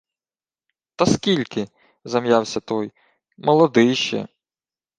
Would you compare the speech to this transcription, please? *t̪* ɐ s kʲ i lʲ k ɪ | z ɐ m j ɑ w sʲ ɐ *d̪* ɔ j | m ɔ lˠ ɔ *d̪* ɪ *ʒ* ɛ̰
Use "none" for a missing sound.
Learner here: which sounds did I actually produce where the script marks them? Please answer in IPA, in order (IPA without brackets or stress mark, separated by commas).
t̪, t̪, d̪, ʃ